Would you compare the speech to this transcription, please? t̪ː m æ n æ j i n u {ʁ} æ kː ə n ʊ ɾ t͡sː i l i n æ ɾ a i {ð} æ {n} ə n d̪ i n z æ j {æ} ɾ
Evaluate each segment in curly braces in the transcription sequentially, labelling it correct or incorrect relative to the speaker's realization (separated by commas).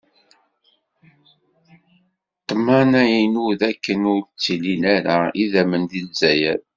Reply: incorrect, correct, incorrect, correct